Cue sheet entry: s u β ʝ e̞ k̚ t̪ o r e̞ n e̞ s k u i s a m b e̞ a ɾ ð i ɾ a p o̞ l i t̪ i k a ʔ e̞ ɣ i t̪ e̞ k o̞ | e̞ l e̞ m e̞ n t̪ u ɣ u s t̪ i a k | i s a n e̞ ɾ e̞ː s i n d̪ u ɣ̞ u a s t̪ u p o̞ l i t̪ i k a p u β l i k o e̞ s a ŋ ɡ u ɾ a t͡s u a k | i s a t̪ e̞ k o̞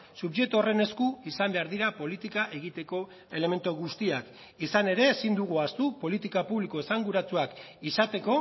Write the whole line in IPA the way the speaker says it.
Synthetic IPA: s u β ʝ e̞ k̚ t̪ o r e̞ n e̞ s k u i s a m b e̞ a ɾ ð i ɾ a p o̞ l i t̪ i k a ʔ e̞ ɣ i t̪ e̞ k o̞ | e̞ l e̞ m e̞ n t̪ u ɣ u s t̪ i a k | i s a n e̞ ɾ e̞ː s i n d̪ u ɣ̞ u a s t̪ u p o̞ l i t̪ i k a p u β l i k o e̞ s a ŋ ɡ u ɾ a t͡s u a k | i s a t̪ e̞ k o̞